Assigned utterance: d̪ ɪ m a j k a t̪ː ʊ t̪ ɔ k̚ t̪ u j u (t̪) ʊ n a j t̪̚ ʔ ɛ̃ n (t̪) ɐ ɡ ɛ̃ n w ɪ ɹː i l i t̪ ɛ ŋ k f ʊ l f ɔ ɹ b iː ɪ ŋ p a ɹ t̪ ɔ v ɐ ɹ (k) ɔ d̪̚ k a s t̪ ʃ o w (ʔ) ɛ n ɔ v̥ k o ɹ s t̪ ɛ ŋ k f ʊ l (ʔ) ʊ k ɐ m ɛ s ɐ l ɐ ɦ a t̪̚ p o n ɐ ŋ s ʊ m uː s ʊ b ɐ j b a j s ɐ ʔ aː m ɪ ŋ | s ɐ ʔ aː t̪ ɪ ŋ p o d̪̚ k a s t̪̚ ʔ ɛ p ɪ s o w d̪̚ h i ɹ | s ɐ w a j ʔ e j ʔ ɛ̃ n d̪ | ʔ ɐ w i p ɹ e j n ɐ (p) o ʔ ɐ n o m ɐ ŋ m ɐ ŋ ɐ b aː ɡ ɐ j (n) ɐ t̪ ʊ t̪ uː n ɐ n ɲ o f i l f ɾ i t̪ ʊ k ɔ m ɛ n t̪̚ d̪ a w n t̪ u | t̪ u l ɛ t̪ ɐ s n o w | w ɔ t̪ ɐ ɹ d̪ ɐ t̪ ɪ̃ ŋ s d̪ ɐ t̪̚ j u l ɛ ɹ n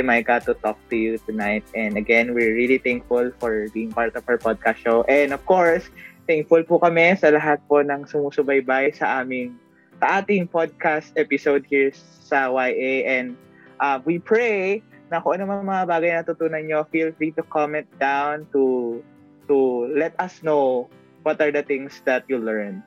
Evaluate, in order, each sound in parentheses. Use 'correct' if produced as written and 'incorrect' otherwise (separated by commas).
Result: correct, incorrect, incorrect, correct, incorrect, incorrect, correct